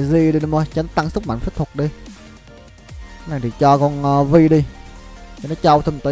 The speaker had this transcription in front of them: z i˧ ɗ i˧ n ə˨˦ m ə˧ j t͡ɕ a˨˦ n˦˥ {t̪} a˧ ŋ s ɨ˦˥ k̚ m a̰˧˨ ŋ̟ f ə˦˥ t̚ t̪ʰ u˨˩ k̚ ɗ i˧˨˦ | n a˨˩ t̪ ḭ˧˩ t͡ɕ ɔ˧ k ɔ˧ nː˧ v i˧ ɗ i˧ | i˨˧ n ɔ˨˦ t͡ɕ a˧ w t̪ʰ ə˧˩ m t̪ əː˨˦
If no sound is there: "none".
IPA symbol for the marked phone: t̪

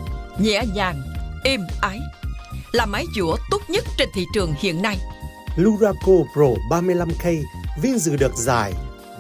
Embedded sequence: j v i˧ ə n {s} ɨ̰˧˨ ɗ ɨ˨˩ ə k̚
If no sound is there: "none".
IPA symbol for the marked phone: z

